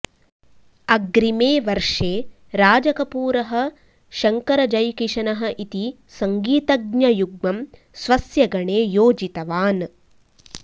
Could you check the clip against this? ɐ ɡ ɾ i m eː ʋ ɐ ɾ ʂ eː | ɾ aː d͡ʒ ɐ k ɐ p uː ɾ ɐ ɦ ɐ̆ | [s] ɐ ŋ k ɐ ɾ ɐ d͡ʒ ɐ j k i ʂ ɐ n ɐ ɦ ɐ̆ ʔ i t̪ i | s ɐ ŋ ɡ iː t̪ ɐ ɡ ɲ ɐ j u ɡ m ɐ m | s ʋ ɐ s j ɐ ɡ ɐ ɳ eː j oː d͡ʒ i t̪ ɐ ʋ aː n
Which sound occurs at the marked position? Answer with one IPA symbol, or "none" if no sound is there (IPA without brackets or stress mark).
ʃ